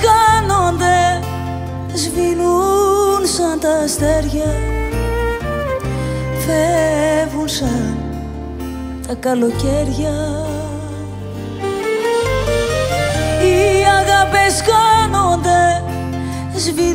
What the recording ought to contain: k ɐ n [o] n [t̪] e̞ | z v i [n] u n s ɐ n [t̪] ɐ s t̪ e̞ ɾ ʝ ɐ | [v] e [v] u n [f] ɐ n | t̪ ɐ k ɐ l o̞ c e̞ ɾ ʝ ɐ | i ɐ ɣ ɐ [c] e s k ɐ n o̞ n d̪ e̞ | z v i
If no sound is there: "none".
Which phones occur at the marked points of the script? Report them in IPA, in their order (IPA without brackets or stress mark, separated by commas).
o, d̪, n, t̪, f, v, s, p